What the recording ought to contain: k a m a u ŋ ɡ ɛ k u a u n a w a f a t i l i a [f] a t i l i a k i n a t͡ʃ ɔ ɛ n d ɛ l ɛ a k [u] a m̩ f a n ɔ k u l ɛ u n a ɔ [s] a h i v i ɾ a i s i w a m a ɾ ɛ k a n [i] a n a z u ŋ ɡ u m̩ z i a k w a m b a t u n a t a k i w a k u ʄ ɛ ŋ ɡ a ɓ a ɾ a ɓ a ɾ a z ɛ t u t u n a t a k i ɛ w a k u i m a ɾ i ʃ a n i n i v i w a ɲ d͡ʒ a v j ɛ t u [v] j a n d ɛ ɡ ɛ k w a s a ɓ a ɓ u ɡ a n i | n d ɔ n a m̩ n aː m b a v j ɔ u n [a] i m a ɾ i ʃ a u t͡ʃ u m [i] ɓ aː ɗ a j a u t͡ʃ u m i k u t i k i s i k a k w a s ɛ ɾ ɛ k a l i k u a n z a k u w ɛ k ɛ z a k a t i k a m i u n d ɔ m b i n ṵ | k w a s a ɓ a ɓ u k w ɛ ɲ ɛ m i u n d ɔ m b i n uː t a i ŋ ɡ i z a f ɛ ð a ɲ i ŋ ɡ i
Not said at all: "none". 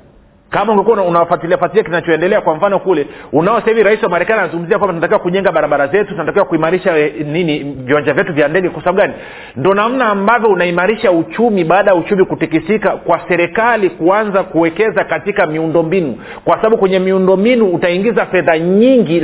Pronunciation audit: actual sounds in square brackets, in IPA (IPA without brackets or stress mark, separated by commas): f, w, s, i, v, a, i